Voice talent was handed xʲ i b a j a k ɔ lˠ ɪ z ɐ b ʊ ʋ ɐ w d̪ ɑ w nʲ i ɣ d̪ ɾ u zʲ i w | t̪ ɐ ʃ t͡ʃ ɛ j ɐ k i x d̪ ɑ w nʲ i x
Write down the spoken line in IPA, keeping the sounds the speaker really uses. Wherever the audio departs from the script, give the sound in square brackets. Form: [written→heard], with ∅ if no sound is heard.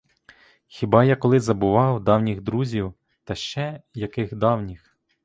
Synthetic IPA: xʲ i b [a→ɑ] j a k ɔ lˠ ɪ z ɐ b ʊ ʋ [ɐ→ɑ] w d̪ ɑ w nʲ i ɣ d̪ ɾ u zʲ i w | t̪ ɐ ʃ t͡ʃ ɛ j ɐ k [i→ɪ] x d̪ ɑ w nʲ i x